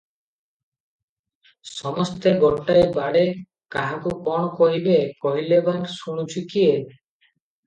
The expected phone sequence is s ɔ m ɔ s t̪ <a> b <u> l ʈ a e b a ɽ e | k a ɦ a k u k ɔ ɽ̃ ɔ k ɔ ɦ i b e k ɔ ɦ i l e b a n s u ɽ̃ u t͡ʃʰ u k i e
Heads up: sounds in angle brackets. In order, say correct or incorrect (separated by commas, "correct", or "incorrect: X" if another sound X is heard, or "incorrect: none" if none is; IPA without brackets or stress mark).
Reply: incorrect: e, incorrect: ɔ